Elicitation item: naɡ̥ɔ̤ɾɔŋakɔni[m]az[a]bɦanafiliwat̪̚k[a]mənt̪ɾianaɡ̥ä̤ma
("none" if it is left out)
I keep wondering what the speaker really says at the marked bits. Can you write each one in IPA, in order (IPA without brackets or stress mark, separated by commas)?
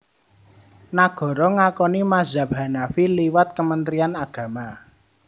m, a, ə